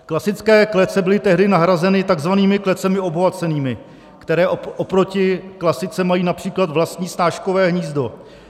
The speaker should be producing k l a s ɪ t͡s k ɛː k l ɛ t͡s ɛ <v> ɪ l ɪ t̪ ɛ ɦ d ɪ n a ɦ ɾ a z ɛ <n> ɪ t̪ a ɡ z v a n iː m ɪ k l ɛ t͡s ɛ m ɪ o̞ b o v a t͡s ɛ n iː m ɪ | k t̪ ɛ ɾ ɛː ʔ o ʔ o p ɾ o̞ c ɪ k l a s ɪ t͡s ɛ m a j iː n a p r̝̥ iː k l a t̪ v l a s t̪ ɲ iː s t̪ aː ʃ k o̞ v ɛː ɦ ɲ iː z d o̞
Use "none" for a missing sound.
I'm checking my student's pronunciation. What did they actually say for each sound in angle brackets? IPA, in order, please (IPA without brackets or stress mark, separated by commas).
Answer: b, n